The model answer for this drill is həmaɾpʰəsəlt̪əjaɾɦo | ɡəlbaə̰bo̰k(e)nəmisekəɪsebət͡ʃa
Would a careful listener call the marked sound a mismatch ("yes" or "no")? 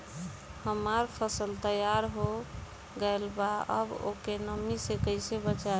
no